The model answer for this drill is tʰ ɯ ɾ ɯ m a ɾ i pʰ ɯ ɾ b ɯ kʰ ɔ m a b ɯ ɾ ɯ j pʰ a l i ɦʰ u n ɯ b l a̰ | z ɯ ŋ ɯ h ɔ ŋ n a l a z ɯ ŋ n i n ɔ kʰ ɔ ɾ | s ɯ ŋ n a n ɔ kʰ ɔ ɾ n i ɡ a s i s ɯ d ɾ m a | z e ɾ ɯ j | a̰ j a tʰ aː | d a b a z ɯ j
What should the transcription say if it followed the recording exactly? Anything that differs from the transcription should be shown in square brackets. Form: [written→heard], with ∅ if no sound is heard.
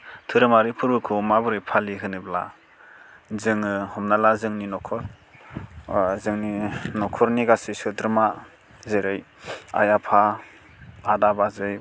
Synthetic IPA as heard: tʰ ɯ ɾ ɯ m a ɾ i pʰ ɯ ɾ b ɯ kʰ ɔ m a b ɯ ɾ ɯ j pʰ a l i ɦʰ [u→ɯ] n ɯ b l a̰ | z ɯ ŋ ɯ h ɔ [ŋ→m] n a l a z ɯ ŋ n i n ɔ kʰ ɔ ɾ | [s→z] ɯ ŋ n [a→i] n ɔ kʰ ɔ ɾ n i ɡ a s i s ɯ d ɾ m a | z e ɾ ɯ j | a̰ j a [tʰ→pʰ] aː | d a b a z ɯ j